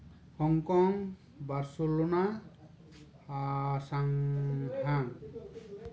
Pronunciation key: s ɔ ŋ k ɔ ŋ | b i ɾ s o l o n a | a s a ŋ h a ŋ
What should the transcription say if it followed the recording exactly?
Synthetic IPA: h ɔ ŋ k ɔ ŋ | b a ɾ s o l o n a | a s a ŋ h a ŋ

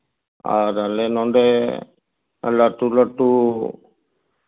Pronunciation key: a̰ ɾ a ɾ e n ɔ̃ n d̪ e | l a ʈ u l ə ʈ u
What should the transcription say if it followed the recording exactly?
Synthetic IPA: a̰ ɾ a l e n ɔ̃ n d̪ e | l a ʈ u l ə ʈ u

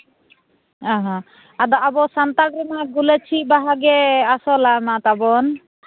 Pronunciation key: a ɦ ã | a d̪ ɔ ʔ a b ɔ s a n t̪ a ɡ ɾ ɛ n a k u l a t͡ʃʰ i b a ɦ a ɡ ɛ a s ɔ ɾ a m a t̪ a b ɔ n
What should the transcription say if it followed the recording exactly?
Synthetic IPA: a ɦ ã | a d̪ ɔ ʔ a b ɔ s a n t̪ a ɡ ɾ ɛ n a ɡ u l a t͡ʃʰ i b a ɦ a ɡ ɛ a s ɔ l a m a t̪ a b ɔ n

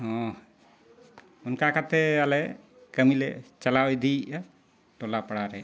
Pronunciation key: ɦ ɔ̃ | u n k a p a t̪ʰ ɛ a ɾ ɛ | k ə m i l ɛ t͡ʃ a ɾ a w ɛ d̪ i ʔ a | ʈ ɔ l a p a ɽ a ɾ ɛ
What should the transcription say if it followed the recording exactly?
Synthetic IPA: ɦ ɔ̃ | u n k a k a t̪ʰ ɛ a l ɛ | k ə m i l ɛ t͡ʃ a l a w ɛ d̪ i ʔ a | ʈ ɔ l a p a ɽ a ɾ ɛ

